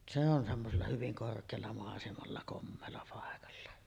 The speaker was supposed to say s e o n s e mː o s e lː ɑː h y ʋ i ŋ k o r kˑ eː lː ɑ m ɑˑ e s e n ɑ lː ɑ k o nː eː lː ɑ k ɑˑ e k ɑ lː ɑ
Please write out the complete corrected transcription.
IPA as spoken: s e o n s e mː o s e lː ɑ h y ʋ i ŋ k o r kˑ eː lː ɑ m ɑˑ e s e m ɑ lː ɑ k o mː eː lː ɑ p ɑˑ e k ɑ lː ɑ